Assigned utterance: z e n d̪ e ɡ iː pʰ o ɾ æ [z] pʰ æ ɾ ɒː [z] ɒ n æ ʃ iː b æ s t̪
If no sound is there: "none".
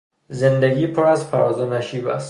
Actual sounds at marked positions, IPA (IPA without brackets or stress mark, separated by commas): z, z